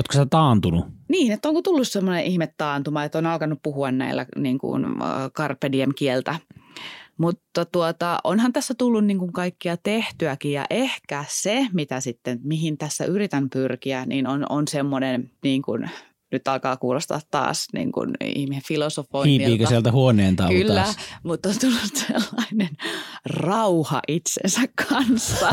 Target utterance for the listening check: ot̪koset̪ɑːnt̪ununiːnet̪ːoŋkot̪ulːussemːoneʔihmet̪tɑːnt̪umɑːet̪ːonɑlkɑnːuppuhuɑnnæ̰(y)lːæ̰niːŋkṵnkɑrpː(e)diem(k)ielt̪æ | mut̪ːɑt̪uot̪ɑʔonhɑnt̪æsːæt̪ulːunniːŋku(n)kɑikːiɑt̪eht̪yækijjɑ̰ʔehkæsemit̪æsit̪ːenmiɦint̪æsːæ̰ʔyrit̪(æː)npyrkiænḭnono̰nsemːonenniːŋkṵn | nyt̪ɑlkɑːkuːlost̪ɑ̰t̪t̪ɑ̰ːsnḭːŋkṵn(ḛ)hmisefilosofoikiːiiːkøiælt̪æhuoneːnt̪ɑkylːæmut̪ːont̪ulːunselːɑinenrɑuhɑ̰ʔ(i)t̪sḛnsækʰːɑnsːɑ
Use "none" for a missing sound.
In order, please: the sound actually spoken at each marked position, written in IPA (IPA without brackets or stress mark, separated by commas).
i, e, k, ŋ, æ, ḭ, i